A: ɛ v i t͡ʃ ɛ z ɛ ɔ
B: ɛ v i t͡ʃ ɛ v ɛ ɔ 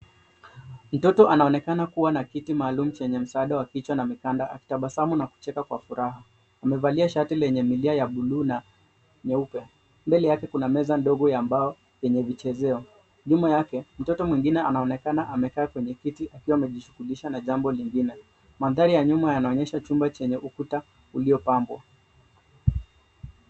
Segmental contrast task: A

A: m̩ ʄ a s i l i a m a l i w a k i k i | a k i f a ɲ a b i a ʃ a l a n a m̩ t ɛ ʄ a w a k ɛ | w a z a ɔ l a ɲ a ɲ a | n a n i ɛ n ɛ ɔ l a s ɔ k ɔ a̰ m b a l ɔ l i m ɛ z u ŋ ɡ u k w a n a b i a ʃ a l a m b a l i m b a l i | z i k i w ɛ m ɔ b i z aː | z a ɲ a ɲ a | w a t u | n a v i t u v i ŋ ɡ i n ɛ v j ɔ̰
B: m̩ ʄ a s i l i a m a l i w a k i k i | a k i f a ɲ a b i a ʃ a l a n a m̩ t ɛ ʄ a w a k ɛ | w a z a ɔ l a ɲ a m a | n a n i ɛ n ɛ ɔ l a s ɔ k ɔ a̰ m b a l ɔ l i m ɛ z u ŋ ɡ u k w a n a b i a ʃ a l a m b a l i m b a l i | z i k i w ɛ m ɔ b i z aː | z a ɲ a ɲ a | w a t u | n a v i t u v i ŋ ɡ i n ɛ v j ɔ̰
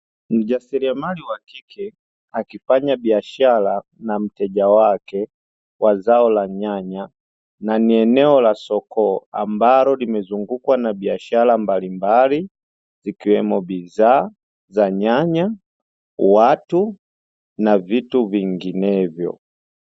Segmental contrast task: A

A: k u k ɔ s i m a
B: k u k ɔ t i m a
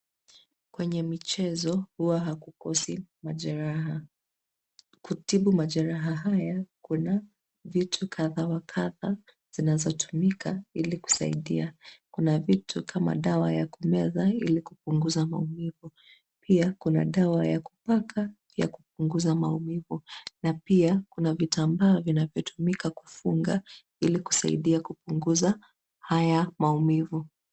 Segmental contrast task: A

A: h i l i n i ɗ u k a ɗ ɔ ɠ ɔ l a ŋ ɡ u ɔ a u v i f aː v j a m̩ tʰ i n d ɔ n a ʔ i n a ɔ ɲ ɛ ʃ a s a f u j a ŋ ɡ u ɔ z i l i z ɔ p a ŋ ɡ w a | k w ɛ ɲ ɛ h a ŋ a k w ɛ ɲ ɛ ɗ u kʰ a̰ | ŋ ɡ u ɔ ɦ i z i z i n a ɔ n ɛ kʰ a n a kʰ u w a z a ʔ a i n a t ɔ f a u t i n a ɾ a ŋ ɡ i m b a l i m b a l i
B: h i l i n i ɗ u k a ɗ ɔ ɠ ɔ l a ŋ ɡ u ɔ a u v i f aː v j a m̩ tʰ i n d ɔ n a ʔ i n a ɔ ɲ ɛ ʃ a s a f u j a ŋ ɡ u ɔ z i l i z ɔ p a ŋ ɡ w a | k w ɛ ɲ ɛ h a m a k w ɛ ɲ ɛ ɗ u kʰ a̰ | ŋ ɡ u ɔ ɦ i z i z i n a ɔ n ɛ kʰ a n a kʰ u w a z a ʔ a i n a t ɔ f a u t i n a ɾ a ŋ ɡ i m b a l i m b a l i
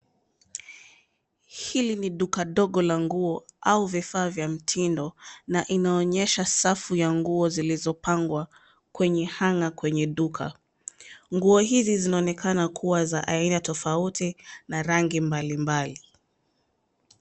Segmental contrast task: A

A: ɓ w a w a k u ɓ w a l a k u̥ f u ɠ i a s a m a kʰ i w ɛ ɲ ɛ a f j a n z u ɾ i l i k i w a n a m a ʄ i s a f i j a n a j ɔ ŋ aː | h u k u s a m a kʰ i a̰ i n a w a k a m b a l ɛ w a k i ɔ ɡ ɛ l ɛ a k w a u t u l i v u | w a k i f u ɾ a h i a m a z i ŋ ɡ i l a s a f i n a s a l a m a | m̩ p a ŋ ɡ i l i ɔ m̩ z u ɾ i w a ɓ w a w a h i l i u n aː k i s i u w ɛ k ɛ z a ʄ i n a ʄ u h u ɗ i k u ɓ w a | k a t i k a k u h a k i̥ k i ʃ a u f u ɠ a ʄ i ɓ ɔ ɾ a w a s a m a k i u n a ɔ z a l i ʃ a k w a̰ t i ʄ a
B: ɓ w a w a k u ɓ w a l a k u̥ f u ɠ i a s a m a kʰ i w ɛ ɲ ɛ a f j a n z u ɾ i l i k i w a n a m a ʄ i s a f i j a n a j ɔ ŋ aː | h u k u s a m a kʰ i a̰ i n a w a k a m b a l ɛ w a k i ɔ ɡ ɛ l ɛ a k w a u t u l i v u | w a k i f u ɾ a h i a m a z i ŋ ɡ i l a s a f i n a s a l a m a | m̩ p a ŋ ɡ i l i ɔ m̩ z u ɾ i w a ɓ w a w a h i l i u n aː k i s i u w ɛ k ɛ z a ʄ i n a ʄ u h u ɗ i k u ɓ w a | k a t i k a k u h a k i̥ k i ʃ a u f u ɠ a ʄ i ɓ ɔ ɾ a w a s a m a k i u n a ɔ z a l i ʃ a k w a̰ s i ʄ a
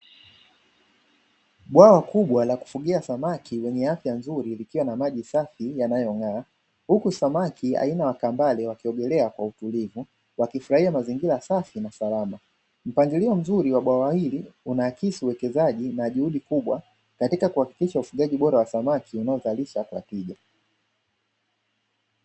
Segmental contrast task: A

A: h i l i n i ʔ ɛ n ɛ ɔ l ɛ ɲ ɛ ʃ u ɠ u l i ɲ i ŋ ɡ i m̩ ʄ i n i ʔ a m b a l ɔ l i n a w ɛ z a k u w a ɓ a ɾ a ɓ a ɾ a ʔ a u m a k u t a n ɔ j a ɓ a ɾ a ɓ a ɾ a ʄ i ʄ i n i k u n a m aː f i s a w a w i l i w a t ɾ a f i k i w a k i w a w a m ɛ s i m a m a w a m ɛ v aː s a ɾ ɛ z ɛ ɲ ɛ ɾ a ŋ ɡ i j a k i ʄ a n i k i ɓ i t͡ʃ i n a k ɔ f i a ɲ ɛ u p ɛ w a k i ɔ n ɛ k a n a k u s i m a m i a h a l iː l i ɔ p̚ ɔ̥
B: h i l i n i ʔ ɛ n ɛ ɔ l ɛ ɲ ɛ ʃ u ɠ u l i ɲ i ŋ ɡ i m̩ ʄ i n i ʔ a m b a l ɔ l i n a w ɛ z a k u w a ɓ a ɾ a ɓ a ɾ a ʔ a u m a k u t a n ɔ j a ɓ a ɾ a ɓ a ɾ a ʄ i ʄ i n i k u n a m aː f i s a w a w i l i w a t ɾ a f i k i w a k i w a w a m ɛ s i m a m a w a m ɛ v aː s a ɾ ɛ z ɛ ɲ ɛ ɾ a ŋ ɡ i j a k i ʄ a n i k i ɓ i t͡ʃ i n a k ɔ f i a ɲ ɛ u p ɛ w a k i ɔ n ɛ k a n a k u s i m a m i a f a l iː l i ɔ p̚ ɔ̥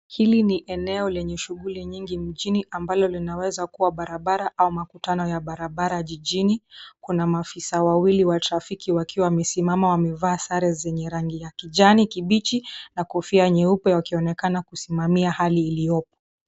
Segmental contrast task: A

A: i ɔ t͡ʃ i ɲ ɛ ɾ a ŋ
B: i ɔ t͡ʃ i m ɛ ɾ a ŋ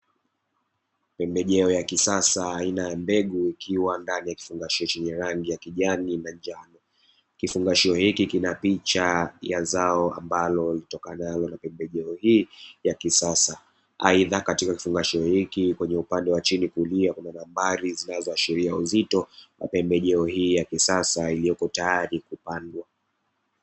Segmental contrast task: A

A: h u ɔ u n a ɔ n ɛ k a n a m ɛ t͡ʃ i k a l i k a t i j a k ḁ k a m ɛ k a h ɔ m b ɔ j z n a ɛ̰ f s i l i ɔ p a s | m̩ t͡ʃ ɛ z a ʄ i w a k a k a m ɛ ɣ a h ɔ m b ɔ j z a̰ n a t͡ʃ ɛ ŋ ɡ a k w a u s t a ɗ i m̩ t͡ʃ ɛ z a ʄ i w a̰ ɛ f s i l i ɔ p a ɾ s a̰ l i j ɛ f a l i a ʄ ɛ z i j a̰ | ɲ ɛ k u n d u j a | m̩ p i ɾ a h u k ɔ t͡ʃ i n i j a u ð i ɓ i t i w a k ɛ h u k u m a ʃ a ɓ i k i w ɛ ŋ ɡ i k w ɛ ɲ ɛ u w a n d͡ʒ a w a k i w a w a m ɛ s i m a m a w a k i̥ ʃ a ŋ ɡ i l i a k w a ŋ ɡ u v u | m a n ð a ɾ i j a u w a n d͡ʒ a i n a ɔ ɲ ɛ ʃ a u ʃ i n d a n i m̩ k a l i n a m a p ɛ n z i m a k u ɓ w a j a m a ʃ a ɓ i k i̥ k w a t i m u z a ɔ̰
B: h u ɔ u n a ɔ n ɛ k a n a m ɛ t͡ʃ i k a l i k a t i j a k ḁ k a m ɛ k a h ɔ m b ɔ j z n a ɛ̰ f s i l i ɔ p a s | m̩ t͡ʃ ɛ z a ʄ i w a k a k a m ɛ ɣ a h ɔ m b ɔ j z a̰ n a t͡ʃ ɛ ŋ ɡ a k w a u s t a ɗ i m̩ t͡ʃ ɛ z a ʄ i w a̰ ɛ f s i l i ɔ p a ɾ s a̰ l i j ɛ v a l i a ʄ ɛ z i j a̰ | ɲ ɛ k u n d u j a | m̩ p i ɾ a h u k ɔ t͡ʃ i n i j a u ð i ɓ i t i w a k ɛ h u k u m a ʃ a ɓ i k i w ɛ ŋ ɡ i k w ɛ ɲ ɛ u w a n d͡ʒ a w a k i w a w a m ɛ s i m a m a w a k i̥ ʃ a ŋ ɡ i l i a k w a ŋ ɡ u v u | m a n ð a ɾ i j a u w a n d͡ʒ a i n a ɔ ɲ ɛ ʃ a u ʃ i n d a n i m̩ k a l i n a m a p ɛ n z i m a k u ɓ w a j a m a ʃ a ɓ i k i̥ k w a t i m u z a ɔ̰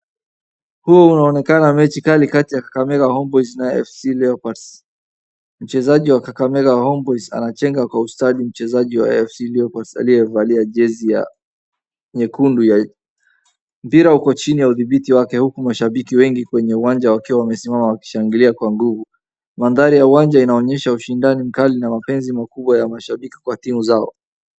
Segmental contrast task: B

